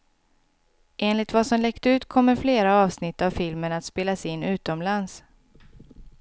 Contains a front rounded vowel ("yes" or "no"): no